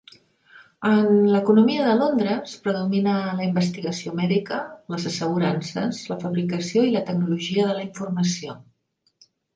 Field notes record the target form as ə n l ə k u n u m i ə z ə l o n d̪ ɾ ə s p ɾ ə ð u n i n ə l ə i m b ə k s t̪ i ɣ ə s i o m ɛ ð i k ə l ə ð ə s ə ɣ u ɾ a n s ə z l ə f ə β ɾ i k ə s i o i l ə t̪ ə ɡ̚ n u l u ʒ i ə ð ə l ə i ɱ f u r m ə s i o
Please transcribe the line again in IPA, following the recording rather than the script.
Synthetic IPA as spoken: ə n l ə k u n u m i ə ð ə l o n d̪ ɾ ə s p ɾ ə ð u m i n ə l ə i m b ə s t̪ i ɣ ə s i o m ɛ ð i k ə l ə z ə s ə ɣ u ɾ a n s ə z l ə f ə β ɾ i k ə s i o i l ə t̪ ə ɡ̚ n u l u ʒ i ə ð ə l ə i ɱ f u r m ə s i o